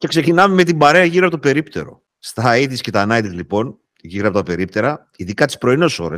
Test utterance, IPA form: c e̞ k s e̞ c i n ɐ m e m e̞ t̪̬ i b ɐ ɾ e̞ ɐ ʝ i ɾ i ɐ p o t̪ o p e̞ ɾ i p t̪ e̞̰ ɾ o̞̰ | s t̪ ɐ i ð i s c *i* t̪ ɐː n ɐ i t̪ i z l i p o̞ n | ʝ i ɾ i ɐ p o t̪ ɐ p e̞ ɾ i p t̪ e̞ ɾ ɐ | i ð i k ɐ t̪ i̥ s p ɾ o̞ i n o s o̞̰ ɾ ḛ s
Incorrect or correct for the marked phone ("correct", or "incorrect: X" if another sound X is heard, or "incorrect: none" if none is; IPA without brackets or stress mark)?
incorrect: e